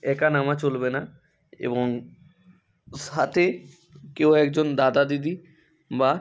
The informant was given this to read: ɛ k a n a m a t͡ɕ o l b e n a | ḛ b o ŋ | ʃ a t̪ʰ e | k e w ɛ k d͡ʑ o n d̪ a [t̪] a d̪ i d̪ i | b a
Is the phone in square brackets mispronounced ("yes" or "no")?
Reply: yes